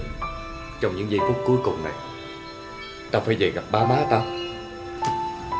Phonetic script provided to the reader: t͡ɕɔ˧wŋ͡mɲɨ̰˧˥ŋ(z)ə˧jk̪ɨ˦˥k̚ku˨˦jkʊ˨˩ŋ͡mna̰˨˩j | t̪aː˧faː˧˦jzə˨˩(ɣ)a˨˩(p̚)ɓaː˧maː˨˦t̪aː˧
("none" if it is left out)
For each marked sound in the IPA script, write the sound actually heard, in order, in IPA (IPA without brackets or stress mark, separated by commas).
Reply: z, ɣ, p̚